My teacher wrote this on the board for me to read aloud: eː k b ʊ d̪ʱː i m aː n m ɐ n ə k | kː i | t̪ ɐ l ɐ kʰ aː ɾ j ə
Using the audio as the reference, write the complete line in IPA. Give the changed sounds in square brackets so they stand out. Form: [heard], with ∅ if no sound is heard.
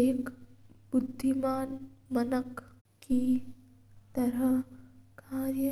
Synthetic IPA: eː k b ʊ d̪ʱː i m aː n m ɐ n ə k | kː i | t̪ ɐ [ɾ] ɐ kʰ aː ɾ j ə